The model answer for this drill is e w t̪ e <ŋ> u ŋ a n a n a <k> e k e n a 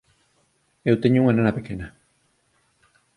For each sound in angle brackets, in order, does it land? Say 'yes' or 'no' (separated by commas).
no, no